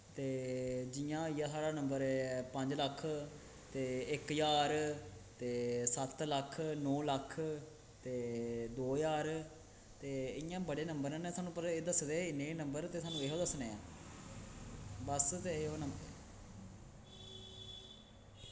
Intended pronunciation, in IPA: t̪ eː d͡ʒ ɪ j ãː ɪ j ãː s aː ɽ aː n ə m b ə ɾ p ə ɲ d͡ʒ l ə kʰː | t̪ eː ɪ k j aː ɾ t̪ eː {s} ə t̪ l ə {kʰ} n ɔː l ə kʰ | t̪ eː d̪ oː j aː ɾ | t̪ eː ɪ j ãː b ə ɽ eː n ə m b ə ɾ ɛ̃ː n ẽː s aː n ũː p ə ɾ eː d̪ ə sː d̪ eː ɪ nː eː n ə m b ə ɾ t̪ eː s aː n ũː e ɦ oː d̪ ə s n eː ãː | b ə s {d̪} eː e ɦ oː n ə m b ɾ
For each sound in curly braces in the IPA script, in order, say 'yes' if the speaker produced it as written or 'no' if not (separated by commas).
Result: yes, yes, no